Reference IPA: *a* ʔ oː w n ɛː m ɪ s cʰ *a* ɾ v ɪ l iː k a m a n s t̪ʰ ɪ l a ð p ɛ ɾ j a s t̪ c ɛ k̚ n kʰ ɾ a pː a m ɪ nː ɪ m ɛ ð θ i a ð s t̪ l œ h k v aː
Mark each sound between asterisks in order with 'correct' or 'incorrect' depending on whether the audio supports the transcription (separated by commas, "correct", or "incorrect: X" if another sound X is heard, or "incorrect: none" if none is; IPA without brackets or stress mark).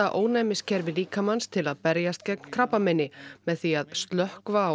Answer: correct, incorrect: ɛ